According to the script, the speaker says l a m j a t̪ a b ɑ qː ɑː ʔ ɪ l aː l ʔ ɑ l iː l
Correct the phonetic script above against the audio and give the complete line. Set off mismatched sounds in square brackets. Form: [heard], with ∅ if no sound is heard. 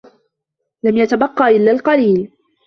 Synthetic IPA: l a m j a t̪ a b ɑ qː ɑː ʔ ɪ [lː] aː l [q] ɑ l iː l